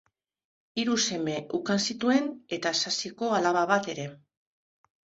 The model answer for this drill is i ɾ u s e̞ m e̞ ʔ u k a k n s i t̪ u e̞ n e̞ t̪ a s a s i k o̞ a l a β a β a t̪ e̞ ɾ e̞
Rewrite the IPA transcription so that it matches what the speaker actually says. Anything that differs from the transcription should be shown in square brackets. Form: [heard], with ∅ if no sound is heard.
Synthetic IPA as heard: i ɾ u s e̞ m e̞ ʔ u k a [∅] n s i t̪ u e̞ n e̞ t̪ a s a s i k o̞ a l a β a β a t̪ e̞ ɾ e̞

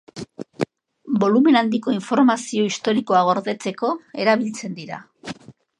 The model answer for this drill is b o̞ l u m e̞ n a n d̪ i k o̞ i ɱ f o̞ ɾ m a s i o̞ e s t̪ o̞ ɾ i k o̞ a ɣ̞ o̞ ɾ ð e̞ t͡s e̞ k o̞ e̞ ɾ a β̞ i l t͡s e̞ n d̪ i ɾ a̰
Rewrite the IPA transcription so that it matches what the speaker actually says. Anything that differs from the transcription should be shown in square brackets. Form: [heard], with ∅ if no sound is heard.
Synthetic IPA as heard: b o̞ l u m e̞ n a n d̪ i k o̞ i ɱ f o̞ ɾ m a s i o̞ [i] s t̪ o̞ ɾ i k o̞ a ɣ̞ o̞ ɾ ð e̞ t͡s e̞ k o̞ e̞ ɾ a β̞ i l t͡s e̞ n d̪ i ɾ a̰

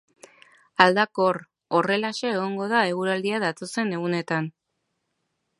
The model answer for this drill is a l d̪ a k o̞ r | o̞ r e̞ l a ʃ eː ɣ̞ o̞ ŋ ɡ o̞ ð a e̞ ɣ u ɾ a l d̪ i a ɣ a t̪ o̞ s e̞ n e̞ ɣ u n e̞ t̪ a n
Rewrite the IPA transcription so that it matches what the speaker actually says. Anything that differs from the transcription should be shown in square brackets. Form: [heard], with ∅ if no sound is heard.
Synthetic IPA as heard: a l d̪ a k o̞ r | o̞ r e̞ l a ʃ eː ɣ̞ o̞ ŋ ɡ o̞ ð a e̞ ɣ u ɾ a l d̪ i a [ð] a t̪ o̞ s e̞ n e̞ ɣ u n e̞ t̪ a n

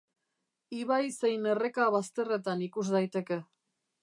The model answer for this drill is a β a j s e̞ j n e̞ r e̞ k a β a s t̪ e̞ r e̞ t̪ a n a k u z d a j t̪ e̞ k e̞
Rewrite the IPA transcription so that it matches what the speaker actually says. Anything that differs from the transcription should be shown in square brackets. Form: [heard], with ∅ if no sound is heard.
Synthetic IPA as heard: [i] β a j s e̞ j n e̞ r e̞ k a β a s t̪ e̞ r e̞ t̪ a n [i] k u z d a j t̪ e̞ k e̞

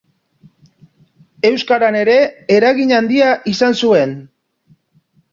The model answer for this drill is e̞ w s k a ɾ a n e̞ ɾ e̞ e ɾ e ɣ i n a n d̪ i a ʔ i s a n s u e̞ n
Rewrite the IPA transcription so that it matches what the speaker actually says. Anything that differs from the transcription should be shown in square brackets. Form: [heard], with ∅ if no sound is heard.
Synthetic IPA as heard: e̞ w s k a ɾ a n e̞ ɾ e̞ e ɾ [a] ɣ i [ɲ] a n d̪ i a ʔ i s a n s u e̞ n

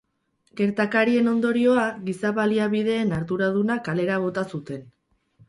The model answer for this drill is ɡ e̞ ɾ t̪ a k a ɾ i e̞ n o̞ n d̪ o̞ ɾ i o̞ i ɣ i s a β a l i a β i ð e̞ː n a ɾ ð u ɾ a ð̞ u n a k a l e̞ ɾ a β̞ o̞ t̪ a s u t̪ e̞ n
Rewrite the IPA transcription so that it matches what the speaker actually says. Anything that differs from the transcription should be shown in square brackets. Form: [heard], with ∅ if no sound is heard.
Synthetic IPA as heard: ɡ e̞ ɾ t̪ a k a ɾ i e̞ n o̞ n d̪ o̞ ɾ i o̞ [a] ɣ i s a β a l i a β i ð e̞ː n a ɾ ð u ɾ a ð̞ u n a k a l e̞ ɾ a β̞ o̞ t̪ a s u t̪ e̞ n

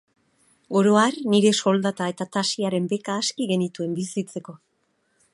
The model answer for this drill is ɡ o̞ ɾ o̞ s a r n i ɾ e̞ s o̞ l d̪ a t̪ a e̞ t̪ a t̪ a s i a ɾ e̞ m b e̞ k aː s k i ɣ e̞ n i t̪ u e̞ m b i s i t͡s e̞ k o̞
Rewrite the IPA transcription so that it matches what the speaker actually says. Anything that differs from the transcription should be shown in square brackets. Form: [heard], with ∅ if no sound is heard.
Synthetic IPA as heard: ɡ o̞ ɾ o̞ [∅] a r n i ɾ e̞ s o̞ l d̪ a t̪ a e̞ t̪ a t̪ a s i a ɾ e̞ m b e̞ k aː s k i ɣ e̞ n i t̪ u e̞ m b i s i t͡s e̞ k o̞

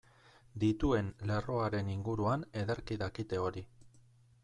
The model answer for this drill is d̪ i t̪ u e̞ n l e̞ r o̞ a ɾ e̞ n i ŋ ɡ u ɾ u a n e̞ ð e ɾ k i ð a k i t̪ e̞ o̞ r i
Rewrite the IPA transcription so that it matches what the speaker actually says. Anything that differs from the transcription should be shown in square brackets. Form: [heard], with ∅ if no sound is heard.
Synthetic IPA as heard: d̪ i t̪ u e̞ n l e̞ r o̞ a ɾ e̞ n i ŋ ɡ u ɾ u a n e̞ ð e ɾ k i ð a k i t̪ e̞ o̞ [ɾ] i

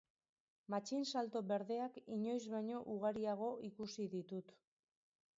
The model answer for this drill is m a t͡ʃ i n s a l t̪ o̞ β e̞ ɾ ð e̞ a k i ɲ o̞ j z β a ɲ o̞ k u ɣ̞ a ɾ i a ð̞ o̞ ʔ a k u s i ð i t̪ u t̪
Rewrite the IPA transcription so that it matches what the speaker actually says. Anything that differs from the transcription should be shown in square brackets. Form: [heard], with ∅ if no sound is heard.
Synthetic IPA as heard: m a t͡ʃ i n s a l t̪ o̞ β e̞ ɾ ð e̞ a k i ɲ o̞ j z β a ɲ o̞ [ʔ] u ɣ̞ a ɾ i a [ɣ̞] o̞ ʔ [i] k u s i ð i t̪ u t̪

